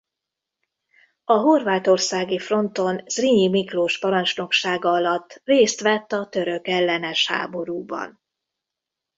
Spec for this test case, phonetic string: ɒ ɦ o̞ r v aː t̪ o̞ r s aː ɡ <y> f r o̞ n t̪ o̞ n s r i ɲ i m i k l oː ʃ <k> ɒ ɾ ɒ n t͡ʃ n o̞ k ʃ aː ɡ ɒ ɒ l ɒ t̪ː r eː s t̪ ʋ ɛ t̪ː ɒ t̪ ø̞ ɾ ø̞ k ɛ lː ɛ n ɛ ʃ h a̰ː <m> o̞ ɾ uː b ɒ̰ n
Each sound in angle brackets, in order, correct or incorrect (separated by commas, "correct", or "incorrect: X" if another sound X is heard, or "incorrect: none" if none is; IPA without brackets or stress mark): incorrect: i, incorrect: p, incorrect: b